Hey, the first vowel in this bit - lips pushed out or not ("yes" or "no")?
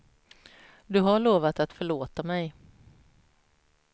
yes